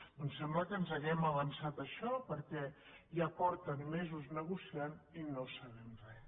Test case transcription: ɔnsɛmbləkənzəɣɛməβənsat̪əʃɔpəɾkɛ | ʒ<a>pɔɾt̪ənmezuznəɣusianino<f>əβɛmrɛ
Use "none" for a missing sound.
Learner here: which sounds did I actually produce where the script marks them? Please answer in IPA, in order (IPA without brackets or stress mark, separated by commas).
a, s